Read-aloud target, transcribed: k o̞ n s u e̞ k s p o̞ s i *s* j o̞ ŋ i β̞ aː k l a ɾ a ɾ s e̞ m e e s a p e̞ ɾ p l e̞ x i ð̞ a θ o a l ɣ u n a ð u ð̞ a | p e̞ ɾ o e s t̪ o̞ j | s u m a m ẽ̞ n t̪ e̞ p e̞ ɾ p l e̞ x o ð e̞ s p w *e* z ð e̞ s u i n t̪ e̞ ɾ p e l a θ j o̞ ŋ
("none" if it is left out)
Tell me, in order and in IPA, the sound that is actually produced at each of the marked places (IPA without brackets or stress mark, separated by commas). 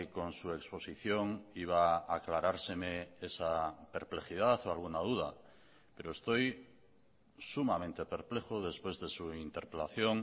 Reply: θ, e